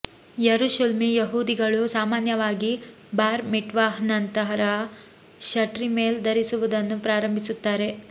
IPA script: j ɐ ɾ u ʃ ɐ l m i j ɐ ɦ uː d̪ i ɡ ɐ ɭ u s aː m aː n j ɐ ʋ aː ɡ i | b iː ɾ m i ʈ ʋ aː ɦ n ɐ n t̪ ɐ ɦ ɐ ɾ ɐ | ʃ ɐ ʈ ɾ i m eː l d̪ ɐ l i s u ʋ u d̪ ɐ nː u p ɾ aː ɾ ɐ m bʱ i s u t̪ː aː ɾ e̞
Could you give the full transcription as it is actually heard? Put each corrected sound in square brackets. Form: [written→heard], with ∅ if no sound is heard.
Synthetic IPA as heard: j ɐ ɾ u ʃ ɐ l m i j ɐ ɦ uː d̪ i ɡ ɐ ɭ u s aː m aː n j ɐ ʋ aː ɡ i | b [iː→aː] ɾ m i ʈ ʋ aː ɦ n ɐ n t̪ ɐ ɦ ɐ ɾ ɐ | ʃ ɐ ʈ ɾ i m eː l d̪ ɐ [l→ɾ] i s u ʋ u d̪ ɐ nː u p ɾ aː ɾ ɐ m bʱ i s u t̪ː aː ɾ e̞